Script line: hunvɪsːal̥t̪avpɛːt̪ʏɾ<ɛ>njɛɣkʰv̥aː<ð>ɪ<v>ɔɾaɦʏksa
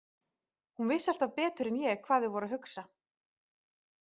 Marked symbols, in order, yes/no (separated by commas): yes, yes, yes